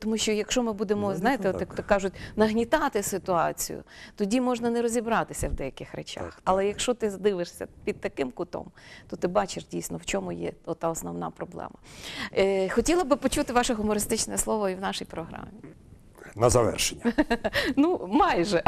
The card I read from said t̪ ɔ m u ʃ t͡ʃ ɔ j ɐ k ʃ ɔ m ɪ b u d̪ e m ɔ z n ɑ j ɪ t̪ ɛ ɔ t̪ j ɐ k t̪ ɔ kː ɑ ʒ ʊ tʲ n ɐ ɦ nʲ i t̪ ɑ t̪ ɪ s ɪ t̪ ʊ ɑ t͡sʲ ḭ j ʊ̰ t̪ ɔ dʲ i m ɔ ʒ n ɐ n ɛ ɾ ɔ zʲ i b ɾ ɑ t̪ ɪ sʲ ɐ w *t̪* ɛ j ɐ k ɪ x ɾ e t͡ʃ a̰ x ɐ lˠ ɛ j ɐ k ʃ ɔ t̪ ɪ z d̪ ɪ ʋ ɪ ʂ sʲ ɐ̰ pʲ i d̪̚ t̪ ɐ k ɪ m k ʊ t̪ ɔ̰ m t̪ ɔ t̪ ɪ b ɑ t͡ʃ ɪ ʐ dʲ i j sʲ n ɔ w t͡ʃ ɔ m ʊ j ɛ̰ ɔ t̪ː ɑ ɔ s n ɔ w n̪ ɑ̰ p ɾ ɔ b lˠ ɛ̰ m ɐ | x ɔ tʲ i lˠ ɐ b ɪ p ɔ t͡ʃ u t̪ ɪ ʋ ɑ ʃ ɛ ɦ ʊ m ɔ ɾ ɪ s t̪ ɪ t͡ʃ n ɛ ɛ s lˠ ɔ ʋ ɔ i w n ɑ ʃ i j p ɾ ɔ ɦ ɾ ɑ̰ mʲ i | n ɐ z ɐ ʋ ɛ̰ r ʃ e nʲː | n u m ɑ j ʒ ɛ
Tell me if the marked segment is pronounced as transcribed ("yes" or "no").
no